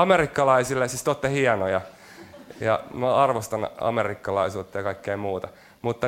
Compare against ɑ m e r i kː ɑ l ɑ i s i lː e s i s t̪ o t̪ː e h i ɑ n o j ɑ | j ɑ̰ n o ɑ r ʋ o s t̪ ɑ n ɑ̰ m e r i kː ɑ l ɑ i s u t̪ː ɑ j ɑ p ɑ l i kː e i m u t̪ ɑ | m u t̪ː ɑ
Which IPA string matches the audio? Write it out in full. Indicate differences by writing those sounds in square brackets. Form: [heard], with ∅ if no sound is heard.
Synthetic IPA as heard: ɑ m e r i kː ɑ l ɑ i s i lː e s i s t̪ o t̪ː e h i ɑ n o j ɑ | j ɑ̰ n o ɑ r ʋ o s t̪ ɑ n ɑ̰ m e r i kː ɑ l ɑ i s [uː] t̪ː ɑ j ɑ [k] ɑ [∅] i kː e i m [uː] t̪ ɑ | m u t̪ː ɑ